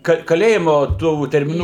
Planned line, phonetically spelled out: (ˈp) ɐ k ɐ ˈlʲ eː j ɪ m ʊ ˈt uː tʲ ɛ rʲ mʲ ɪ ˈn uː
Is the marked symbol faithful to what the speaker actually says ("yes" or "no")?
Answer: no